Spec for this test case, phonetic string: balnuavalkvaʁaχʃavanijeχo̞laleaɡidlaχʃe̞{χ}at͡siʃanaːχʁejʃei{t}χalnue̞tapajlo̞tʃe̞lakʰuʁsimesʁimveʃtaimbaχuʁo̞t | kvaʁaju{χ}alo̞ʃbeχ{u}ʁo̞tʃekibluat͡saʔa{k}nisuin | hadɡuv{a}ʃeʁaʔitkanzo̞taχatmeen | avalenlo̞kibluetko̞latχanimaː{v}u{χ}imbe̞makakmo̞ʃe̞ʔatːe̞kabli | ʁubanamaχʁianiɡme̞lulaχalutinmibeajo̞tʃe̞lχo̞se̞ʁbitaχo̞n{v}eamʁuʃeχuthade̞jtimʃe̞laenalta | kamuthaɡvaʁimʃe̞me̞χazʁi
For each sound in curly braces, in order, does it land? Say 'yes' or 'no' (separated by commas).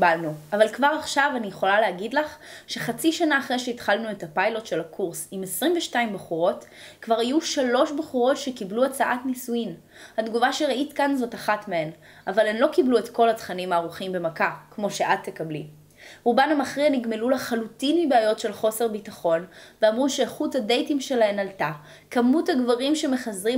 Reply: yes, yes, no, yes, no, yes, no, yes, yes